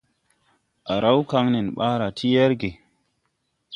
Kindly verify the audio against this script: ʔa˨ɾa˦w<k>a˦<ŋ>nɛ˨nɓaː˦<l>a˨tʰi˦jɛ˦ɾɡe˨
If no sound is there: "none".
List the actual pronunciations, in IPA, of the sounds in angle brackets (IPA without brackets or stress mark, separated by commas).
k, ŋ, ɾ